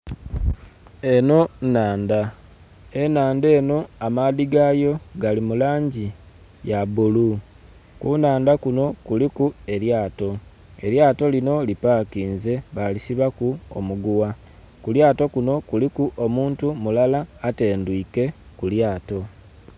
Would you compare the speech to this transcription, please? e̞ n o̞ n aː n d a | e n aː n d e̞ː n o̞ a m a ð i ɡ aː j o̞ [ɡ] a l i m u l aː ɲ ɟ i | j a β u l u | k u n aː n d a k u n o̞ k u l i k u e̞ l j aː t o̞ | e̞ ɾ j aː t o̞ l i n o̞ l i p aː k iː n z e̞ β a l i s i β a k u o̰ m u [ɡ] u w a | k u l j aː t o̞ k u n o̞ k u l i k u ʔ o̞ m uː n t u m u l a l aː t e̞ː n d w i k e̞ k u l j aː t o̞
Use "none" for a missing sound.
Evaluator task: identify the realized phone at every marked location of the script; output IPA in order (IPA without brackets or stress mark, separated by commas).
ɡ, ɡ